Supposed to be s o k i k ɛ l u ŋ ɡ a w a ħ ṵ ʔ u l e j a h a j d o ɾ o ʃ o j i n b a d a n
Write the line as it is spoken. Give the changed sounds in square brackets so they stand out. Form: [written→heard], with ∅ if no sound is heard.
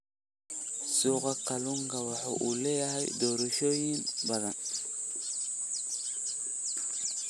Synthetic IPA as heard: s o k [i→a] k [ɛ→a] l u ŋ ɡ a w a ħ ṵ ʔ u l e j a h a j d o ɾ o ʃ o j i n b a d a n